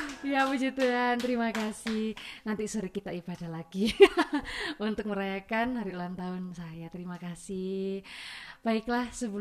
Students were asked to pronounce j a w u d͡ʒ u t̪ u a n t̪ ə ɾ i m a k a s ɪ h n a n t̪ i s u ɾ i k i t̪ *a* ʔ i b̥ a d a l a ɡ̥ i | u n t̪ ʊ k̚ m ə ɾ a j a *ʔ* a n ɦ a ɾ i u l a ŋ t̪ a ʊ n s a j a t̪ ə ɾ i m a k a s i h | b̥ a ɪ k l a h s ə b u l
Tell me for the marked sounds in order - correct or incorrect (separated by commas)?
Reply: correct, incorrect